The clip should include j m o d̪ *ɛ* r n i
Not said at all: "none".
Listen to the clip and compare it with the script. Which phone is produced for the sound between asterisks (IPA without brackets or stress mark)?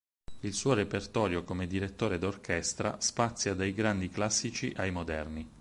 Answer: ɛ